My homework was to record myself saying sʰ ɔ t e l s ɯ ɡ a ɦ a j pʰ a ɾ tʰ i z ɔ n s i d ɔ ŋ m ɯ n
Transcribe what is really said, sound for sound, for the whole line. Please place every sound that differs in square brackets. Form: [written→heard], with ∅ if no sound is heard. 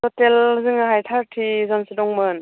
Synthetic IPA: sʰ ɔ t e l [s→z] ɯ [ɡ→ŋ] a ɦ a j [pʰ→tʰ] a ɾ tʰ i z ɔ n s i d ɔ ŋ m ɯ n